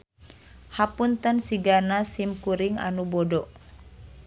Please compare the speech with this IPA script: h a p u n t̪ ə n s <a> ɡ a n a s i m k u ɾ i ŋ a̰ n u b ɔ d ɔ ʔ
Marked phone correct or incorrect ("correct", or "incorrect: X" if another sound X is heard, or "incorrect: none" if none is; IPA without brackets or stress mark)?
incorrect: i